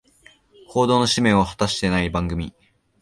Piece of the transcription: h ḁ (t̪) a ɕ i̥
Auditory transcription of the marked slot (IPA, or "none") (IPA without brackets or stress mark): t̪